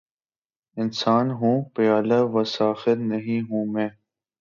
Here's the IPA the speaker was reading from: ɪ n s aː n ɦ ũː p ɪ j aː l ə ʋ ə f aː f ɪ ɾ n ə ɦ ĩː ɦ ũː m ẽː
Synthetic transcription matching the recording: ɪ n s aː n ɦ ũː p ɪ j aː l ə ʋ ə s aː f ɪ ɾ n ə ɦ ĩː ɦ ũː m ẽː